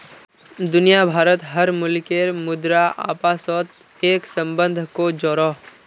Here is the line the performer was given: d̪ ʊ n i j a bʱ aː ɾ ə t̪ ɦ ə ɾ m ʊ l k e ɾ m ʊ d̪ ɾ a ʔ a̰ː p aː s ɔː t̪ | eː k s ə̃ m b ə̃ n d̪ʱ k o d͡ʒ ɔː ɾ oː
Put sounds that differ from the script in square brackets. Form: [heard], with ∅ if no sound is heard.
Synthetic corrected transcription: d̪ ʊ n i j a bʱ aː ɾ ə t̪ ɦ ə ɾ m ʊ l k e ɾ m ʊ d̪ ɾ a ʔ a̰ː p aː s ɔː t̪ | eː k s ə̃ m b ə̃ n d̪ʱ k o d͡ʒ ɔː ɾ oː